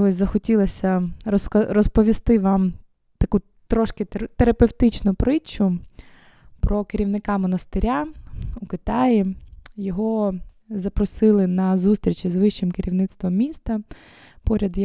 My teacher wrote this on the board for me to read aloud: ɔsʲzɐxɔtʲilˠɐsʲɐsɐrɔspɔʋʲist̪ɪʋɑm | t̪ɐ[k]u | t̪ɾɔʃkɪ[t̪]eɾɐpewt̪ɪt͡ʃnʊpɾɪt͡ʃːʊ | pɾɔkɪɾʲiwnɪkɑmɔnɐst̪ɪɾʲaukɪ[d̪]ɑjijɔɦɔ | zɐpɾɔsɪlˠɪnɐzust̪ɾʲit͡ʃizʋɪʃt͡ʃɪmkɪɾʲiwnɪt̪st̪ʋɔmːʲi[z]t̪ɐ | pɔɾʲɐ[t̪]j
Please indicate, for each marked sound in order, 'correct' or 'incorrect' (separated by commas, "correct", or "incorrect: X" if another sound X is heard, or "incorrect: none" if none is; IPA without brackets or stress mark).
correct, correct, incorrect: t̪, incorrect: s, incorrect: d̪